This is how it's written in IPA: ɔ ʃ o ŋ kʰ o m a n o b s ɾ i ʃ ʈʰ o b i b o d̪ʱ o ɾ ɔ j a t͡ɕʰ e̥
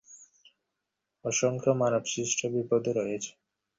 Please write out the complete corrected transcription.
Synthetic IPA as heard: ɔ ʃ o ŋ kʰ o m a n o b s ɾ i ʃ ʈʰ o b i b o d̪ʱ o ɾ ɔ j e t͡ɕʰ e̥